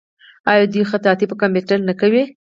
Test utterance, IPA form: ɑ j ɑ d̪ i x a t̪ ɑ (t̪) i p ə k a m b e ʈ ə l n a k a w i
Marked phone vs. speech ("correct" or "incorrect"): correct